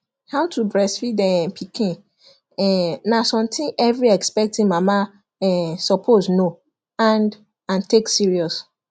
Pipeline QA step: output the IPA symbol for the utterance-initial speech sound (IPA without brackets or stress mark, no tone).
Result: h